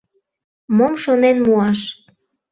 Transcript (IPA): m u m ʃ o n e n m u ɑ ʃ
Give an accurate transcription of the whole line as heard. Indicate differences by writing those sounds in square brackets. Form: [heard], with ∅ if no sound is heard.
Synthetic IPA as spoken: m [o] m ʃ o n e n m u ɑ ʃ